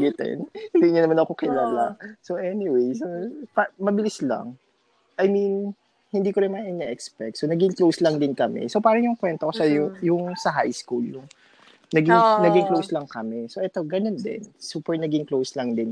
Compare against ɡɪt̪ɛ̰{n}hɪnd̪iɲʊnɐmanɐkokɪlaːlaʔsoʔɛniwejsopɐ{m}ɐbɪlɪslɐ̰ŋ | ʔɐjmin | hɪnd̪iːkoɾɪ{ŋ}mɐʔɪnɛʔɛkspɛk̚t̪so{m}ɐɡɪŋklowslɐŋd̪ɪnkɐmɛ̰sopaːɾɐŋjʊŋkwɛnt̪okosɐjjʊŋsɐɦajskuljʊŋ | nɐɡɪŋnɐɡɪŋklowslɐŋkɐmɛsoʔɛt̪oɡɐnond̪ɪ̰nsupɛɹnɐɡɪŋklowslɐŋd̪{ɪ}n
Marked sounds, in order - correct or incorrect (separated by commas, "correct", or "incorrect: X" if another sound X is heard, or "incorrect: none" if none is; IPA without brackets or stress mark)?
correct, correct, incorrect: n, incorrect: n, correct